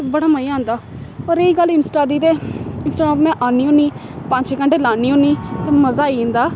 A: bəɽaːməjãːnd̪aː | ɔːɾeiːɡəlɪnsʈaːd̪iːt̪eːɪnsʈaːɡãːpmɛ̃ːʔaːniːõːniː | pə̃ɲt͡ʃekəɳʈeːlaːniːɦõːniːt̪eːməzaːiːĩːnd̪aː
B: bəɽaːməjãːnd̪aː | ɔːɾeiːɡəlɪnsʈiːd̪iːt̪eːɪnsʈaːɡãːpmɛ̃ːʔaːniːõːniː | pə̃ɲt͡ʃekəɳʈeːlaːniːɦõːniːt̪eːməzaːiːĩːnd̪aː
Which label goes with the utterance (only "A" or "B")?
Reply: A